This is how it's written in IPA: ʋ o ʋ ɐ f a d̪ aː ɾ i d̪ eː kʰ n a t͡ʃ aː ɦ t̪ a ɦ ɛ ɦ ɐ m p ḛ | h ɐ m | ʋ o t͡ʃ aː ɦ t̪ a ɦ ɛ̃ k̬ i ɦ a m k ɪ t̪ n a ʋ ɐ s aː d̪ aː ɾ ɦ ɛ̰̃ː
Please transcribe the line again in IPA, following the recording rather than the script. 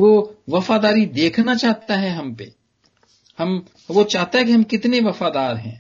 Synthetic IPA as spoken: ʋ o ʋ ɐ f a d̪ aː ɾ i d̪ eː kʰ n a t͡ʃ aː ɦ t̪ a ɦ ɛ ɦ ɐ m p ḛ | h ɐ m | ʋ o t͡ʃ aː ɦ t̪ a ɦ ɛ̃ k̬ i ɦ ɐ m k ɪ t̪ n e ʋ ɐ f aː d̪ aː ɾ ɦ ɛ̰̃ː